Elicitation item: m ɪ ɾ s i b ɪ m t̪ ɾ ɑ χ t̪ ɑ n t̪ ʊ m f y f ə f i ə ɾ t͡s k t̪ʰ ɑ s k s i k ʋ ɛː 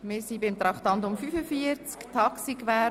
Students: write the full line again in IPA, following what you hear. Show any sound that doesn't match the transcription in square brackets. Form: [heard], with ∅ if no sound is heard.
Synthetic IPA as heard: m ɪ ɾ s i b ɪ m t̪ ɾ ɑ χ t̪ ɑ n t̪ ʊ m f y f ə f i ə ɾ t͡s k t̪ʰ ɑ [∅] k s i k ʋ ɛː